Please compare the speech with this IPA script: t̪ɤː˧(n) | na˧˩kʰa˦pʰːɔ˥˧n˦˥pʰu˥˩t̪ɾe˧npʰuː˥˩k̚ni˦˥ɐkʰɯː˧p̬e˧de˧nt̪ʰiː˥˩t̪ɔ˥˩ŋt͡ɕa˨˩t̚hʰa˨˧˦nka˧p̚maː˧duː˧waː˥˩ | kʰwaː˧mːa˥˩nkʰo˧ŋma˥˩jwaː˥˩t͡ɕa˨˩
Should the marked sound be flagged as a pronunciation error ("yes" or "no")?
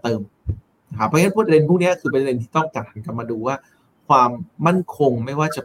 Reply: yes